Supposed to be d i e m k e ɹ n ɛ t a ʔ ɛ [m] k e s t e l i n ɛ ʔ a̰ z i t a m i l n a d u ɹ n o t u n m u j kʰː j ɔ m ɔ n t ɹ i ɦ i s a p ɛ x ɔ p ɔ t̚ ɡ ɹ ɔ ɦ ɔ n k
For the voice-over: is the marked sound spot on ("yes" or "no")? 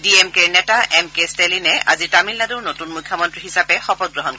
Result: yes